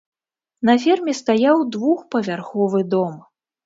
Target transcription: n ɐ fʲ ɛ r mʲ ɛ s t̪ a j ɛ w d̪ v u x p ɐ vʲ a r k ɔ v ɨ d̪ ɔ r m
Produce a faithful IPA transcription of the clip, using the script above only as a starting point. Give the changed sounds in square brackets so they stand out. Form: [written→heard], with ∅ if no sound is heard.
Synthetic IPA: n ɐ fʲ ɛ r mʲ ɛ s t̪ a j [ɛ→a] w d̪ v u x p ɐ vʲ a r [k→x] ɔ v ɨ d̪ ɔ [r→∅] m